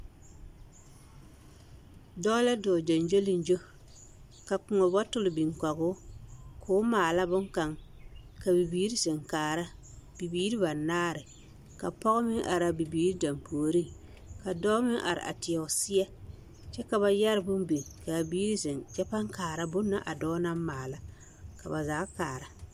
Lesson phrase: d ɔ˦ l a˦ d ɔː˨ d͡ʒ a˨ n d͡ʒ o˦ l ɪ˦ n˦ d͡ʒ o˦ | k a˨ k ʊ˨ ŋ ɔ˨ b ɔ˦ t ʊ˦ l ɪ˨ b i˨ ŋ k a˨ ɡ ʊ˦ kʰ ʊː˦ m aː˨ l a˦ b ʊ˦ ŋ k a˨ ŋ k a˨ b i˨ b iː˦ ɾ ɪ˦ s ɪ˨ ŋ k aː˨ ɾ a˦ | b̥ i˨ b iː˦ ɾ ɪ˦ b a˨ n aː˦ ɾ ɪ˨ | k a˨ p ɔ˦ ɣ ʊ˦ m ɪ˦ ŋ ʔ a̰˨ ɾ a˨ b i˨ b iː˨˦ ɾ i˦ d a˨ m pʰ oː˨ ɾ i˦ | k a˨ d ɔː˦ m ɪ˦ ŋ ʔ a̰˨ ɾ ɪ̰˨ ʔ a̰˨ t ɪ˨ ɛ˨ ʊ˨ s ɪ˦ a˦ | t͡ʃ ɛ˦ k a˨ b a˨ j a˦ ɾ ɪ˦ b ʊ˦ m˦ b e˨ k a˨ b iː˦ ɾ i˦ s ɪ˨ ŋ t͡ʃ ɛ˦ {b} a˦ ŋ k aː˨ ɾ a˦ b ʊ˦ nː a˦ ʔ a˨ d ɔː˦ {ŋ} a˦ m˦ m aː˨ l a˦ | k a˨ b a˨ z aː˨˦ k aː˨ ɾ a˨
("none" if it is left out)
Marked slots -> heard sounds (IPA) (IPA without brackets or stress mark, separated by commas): p, n